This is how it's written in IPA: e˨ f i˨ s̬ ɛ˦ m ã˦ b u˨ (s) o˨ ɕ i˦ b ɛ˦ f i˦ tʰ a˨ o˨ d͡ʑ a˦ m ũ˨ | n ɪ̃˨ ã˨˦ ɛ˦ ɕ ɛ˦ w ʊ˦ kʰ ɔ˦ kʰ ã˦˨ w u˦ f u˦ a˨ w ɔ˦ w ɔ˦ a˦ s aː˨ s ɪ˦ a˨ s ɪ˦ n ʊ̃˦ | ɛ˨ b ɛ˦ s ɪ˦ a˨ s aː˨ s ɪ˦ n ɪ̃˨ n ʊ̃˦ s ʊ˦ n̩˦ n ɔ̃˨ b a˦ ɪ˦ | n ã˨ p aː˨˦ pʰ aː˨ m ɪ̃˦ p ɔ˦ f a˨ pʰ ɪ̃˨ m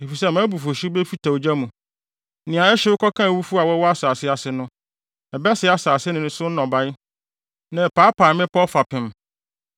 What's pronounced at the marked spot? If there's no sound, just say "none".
f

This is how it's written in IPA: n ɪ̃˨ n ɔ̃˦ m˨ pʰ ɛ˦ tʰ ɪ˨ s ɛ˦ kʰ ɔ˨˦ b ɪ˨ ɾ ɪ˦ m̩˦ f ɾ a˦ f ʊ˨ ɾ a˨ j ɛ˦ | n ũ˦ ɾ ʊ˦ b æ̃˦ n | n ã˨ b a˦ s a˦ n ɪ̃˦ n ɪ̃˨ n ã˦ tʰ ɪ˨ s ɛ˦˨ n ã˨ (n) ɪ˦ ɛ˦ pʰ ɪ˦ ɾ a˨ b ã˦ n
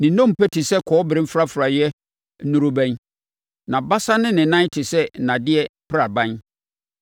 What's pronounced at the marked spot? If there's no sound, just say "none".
d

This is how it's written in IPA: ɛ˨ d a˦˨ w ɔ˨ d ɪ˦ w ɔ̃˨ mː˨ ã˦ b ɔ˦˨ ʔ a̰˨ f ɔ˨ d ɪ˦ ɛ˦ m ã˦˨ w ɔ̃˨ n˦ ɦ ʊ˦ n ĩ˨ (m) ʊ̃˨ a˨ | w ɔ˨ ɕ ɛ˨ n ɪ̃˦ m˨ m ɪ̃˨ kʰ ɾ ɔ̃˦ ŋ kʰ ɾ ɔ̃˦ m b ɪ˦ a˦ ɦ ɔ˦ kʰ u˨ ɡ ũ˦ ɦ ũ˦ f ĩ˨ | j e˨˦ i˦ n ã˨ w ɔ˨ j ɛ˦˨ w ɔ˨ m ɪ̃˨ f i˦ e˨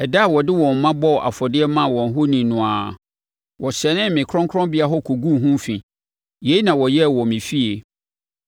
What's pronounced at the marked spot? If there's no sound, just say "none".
n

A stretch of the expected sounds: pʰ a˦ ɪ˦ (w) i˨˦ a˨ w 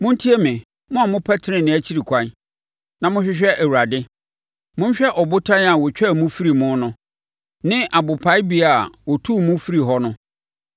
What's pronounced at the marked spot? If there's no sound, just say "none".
b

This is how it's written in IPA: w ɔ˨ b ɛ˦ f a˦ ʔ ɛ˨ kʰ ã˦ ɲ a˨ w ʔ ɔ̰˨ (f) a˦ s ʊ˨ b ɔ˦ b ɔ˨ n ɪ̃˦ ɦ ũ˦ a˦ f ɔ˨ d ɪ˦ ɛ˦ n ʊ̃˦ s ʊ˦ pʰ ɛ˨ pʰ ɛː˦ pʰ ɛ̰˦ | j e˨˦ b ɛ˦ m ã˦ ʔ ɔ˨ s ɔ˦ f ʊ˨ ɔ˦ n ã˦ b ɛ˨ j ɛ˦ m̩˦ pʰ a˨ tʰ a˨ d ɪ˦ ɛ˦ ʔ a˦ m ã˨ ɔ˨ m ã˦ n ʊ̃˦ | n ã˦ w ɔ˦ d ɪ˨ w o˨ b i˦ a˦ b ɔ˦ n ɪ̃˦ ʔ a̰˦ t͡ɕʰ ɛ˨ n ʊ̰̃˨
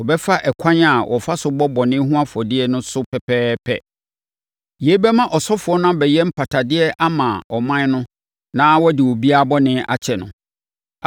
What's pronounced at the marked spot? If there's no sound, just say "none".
f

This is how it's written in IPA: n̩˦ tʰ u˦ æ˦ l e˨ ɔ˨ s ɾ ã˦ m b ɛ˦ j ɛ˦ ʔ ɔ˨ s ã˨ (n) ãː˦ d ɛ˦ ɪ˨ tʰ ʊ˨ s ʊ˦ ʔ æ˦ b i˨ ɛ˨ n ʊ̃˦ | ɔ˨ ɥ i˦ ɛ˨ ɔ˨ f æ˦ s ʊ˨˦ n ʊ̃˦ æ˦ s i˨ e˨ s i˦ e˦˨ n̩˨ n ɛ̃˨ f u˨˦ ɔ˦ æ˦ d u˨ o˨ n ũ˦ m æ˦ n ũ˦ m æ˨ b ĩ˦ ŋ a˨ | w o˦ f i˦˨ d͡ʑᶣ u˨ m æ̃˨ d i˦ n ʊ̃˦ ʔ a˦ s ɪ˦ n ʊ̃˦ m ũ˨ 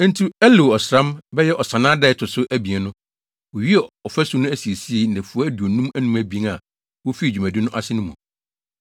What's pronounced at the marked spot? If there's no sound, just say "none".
n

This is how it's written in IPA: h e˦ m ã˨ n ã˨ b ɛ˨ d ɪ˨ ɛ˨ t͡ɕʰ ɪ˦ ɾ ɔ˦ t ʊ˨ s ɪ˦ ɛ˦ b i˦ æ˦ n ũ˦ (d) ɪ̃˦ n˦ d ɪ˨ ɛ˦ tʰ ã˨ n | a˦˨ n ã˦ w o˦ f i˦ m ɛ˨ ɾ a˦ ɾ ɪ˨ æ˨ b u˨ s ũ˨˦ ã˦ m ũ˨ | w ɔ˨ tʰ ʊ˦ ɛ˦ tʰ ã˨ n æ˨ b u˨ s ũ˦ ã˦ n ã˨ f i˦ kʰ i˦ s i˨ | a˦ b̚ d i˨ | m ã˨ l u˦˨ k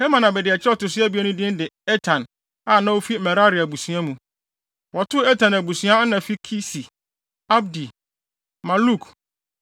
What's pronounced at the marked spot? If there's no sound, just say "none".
d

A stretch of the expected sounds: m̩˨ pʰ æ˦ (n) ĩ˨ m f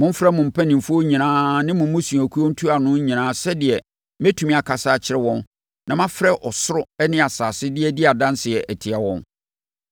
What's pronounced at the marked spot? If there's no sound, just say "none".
n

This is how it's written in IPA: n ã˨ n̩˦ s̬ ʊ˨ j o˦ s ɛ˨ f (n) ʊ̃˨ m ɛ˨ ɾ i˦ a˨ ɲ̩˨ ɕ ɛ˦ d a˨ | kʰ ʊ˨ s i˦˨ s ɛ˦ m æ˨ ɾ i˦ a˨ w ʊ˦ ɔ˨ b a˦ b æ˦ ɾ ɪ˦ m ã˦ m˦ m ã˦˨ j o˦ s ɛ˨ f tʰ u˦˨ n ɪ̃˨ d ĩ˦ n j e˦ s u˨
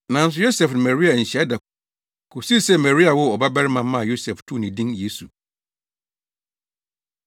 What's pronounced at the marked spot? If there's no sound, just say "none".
n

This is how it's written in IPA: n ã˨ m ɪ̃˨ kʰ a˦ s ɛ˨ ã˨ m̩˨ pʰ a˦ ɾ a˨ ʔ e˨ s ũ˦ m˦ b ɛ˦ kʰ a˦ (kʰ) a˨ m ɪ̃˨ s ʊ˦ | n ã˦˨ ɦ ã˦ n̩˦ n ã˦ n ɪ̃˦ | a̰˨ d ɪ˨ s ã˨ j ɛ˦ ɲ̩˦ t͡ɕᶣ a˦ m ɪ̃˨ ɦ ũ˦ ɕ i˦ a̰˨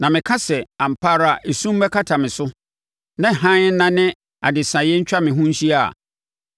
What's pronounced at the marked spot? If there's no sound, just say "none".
tʰ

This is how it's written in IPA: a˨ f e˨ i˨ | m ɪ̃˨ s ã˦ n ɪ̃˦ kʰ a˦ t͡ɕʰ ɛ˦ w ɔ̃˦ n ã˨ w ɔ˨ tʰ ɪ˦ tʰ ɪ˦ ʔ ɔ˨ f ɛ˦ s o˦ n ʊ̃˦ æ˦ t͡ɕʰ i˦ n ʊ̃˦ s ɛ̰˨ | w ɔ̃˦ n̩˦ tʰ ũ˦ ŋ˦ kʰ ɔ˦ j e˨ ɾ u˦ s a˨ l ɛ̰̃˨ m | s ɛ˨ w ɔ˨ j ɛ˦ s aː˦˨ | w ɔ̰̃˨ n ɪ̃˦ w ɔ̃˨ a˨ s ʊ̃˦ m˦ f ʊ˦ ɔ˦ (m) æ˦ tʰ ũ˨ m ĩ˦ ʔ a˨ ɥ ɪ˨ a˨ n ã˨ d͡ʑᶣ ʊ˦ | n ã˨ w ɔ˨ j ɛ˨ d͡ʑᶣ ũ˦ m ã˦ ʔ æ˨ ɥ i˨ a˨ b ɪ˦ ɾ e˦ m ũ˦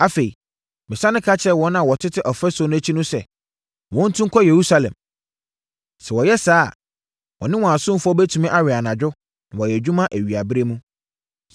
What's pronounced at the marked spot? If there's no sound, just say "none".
b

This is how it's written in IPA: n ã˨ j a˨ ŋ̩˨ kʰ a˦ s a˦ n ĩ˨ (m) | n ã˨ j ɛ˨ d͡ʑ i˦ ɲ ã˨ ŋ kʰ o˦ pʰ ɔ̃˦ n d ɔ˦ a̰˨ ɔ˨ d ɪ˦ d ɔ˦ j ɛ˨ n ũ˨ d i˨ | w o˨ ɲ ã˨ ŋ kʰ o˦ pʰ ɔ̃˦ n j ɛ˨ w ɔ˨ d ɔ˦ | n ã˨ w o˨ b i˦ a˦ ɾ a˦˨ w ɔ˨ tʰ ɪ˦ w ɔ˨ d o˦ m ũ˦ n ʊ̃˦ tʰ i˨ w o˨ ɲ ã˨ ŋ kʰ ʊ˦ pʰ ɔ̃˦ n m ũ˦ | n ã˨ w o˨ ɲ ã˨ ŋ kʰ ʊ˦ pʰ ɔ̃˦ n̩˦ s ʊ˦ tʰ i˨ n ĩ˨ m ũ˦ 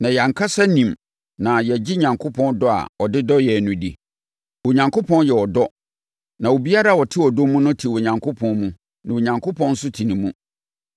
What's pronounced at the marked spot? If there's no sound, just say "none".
m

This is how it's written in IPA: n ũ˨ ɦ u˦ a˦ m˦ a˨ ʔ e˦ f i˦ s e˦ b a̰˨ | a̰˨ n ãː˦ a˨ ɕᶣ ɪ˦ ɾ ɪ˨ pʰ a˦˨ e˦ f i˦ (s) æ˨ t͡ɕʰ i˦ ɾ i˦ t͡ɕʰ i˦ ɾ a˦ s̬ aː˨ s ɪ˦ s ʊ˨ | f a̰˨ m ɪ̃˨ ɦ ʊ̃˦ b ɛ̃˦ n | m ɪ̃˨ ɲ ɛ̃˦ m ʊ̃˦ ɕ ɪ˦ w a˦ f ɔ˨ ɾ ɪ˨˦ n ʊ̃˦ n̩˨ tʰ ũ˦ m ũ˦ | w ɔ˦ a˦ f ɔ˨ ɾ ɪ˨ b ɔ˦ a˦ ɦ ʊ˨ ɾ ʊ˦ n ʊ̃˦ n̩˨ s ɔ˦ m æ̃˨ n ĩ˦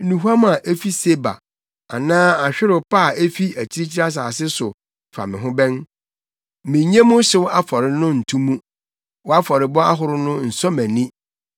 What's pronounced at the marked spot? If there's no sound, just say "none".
none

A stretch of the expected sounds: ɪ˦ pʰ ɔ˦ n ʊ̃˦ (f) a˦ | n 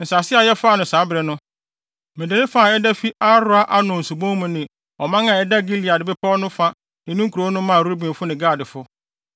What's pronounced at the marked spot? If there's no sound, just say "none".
f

